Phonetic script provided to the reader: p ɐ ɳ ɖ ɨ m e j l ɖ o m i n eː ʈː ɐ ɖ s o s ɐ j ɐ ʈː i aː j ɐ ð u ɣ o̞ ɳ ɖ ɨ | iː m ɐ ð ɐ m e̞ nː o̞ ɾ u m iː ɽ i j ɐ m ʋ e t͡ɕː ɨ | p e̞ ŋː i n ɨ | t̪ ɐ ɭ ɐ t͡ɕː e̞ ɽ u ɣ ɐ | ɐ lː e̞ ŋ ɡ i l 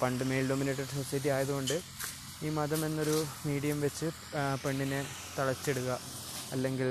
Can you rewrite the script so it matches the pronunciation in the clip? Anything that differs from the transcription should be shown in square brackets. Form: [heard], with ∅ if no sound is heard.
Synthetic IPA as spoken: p ɐ ɳ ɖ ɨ m e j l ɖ o m i n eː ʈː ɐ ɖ s o s ɐ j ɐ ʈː i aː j ɐ ð u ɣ o̞ ɳ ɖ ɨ | iː m ɐ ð ɐ m e̞ nː o̞ ɾ u m iː ɽ i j ɐ m ʋ e t͡ɕː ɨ | p e̞ [ɳː] i n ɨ | t̪ ɐ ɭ ɐ t͡ɕː e̞ ɽ u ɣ ɐ | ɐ lː e̞ ŋ ɡ i l